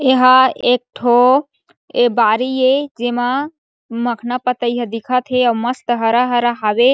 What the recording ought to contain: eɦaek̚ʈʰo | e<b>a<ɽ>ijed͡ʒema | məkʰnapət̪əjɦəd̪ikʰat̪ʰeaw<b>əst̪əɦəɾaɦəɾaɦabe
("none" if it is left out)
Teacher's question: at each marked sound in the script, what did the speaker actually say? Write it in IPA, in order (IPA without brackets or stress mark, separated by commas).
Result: b, ɾ, m